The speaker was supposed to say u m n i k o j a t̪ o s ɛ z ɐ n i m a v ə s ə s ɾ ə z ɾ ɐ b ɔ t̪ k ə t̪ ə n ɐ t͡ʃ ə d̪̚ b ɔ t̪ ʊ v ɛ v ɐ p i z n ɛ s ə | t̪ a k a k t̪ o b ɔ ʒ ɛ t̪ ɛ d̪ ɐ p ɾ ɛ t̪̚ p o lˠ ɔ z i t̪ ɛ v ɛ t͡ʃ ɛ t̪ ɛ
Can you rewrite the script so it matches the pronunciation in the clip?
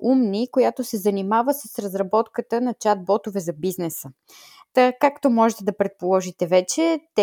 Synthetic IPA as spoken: u m n i k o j a t̪ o s ɛ z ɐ n i m a v ə s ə s ɾ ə z ɾ ɐ b ɔ t̪ k ə t̪ ə n ɐ t͡ʃ a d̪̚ b ɔ t̪ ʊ v ɛ z ɐ b i z n ɛ s ə | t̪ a k a k t̪ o m ɔ ʒ ɛ t̪ ɛ d̪ ɐ p ɾ ɛ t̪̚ p o lˠ ɔ ʒ i t̪ ɛ v ɛ t͡ʃ ɛ t̪ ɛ